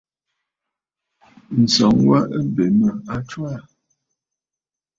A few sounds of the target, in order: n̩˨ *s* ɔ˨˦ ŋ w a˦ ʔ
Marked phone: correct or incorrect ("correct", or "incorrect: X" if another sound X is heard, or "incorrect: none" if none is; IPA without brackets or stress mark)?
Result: correct